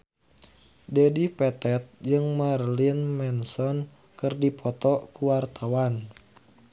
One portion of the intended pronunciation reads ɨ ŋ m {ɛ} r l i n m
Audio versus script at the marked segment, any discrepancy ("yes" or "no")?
yes